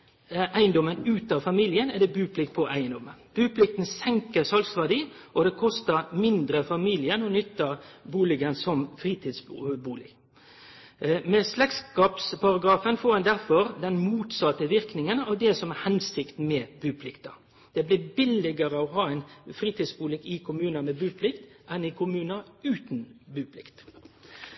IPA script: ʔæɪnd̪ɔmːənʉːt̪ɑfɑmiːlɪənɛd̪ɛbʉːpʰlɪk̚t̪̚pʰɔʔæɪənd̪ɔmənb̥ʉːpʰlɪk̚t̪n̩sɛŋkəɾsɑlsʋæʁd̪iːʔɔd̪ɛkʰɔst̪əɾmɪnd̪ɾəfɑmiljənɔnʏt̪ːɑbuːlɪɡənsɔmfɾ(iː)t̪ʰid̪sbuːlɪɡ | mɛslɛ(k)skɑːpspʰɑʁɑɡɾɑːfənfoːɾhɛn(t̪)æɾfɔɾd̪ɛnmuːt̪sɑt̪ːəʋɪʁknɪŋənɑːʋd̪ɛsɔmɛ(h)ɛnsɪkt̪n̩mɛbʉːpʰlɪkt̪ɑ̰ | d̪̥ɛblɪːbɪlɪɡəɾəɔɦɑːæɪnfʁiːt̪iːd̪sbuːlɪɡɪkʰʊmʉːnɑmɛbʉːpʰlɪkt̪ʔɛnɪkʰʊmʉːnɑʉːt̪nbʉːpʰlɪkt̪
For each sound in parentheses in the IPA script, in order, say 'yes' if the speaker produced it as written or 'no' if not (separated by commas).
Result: yes, yes, no, yes